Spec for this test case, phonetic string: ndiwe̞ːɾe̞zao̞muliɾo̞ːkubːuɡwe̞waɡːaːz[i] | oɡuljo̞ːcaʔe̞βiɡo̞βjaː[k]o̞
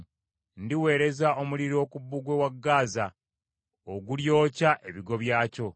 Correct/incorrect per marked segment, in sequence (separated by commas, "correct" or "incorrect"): incorrect, incorrect